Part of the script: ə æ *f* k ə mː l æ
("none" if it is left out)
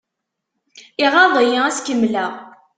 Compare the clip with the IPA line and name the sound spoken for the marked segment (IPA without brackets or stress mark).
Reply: s